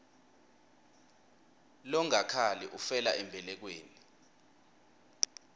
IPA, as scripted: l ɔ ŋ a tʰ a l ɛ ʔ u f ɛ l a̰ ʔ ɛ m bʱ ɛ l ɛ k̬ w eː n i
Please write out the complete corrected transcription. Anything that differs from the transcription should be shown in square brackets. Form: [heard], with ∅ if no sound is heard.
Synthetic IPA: l ɔ ŋ a [kʰ] a l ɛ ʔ u f ɛ l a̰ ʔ ɛ m bʱ ɛ l ɛ k̬ w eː n i